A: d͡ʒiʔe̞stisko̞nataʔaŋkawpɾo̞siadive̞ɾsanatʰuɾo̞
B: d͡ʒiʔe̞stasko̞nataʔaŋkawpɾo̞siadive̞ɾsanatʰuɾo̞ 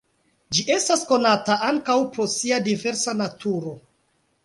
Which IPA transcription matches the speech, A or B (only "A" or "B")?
B